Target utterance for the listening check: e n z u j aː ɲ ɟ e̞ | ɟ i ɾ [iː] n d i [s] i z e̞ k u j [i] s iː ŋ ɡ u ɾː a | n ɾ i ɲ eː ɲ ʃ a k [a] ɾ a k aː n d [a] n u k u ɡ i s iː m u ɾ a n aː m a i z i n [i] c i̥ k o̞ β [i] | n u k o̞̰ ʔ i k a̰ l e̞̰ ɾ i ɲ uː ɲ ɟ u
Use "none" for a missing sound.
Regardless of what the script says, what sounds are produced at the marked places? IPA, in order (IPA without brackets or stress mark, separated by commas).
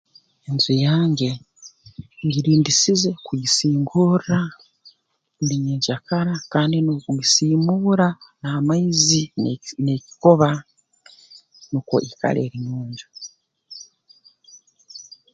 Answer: iː, s, i, a, i, e, a